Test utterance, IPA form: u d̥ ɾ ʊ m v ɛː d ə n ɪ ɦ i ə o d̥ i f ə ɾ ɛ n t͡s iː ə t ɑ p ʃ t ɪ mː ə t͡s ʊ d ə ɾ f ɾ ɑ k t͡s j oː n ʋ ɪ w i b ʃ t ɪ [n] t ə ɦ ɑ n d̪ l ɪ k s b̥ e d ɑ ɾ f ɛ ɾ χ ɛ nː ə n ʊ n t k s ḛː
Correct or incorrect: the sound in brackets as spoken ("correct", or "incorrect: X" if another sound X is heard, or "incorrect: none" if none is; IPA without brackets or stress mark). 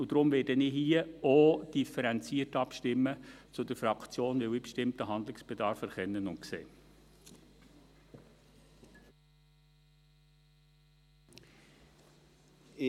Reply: incorrect: m